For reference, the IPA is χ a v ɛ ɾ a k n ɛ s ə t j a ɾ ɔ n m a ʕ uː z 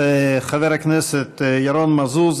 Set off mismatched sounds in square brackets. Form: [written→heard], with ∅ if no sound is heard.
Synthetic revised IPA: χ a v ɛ ɾ a k n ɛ s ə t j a ɾ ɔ n m a [ʕ→z] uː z